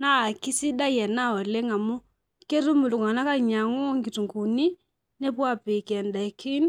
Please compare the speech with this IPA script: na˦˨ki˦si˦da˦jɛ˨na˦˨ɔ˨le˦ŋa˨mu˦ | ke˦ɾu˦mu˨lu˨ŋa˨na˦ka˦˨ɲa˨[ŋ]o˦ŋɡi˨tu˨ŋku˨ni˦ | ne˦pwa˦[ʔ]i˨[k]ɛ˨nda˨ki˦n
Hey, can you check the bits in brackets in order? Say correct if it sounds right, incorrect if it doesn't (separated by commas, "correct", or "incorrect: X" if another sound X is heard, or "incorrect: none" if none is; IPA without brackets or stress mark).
correct, incorrect: p, correct